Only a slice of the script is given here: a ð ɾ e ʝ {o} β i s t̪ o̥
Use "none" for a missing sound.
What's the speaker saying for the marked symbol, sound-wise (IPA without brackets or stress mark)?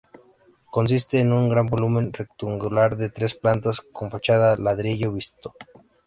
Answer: o